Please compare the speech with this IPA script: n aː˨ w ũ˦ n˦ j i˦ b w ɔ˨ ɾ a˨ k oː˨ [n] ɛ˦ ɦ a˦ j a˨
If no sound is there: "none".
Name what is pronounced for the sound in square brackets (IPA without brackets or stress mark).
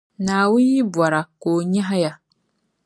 ɲ